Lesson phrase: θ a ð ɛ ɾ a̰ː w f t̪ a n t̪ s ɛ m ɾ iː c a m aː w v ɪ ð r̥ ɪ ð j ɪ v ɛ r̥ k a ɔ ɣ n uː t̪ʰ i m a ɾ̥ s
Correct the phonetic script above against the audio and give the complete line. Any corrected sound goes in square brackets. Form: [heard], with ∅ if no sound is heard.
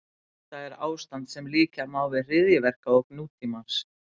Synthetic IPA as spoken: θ a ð ɛ ɾ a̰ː w [s] t̪ a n t̪ s ɛ m [l] iː c a m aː w v ɪ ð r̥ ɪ ð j ɪ v ɛ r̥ k a ɔ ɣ n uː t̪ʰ i m a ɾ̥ s